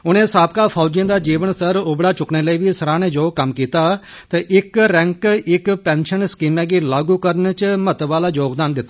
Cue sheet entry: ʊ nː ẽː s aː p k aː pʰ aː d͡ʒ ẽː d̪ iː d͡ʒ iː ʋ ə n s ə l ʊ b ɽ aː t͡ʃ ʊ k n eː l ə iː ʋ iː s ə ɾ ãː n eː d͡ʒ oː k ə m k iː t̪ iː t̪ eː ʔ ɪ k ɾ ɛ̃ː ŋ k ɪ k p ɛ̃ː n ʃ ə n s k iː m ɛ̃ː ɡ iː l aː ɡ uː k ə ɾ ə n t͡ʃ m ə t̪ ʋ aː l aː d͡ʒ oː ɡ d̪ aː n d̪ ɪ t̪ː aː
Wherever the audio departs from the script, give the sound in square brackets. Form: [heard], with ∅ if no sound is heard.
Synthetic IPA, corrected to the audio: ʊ [n] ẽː s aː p k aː pʰ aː d͡ʒ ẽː d̪ [aː] d͡ʒ iː ʋ ə n s ə [ɾ] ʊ b ɽ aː t͡ʃ ʊ k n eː l ə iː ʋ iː s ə ɾ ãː n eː d͡ʒ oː k ə m k iː t̪ [aː] t̪ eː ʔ ɪ k ɾ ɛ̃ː ŋ k ɪ k p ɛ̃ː n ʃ ə n s k iː m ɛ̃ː ɡ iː l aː ɡ uː k ə ɾ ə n t͡ʃ m ə t̪ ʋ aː l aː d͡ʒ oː ɡ d̪ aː n d̪ ɪ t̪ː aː